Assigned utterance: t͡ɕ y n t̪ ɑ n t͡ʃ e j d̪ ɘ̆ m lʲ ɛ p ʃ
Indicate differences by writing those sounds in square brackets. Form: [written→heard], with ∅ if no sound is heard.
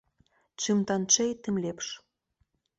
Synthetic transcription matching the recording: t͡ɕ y [n→m] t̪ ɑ n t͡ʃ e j [d̪→t̪] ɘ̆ m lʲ [ɛ→e] p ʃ